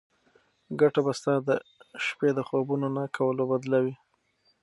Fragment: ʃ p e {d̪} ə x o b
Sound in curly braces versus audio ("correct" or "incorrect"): correct